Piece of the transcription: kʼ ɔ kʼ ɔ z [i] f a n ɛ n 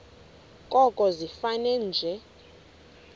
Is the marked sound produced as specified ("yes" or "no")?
yes